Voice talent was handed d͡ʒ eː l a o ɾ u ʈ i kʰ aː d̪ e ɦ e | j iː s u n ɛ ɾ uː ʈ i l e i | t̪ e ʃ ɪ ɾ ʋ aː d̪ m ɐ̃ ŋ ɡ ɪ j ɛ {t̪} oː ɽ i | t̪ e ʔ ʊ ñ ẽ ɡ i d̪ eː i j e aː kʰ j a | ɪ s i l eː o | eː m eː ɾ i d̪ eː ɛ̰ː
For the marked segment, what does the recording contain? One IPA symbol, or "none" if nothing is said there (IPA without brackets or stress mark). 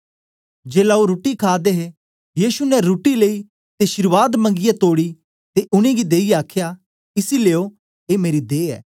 t̪